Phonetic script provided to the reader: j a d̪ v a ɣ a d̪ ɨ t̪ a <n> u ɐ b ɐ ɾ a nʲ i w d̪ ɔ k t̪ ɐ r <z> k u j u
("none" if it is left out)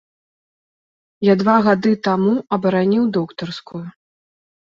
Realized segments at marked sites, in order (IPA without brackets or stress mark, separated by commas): m, s